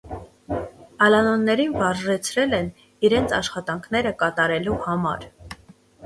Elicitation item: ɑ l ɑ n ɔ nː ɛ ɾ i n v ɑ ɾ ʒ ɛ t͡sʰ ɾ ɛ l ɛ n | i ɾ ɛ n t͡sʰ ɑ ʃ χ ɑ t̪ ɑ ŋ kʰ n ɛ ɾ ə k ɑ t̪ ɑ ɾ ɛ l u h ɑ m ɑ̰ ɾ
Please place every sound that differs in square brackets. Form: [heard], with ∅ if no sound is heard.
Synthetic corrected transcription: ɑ l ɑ n ɔ nː ɛ ɾ i n v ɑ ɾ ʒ ɛ t͡sʰ ɾ ɛ l ɛ n | i ɾ ɛ n t͡sʰ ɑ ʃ χ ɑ t̪ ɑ ŋ kʰ n ɛ ɾ ə k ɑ t̪ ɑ ɾ ɛ l u h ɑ m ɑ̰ ɾ